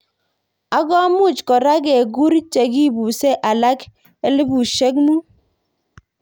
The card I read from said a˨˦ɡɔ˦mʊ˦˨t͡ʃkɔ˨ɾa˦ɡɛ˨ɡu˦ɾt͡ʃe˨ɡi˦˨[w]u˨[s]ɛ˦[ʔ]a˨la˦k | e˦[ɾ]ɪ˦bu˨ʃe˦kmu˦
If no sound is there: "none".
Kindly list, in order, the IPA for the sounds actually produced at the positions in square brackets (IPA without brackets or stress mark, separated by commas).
b, s, ʔ, l